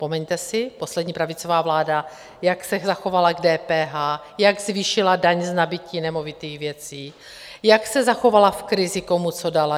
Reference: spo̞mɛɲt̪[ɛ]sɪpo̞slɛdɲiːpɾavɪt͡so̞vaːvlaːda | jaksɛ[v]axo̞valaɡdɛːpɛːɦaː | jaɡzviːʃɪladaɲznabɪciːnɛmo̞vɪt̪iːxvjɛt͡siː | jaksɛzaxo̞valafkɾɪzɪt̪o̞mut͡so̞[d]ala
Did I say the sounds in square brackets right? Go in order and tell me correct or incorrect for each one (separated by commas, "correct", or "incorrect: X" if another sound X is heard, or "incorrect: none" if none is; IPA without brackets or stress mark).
correct, incorrect: z, correct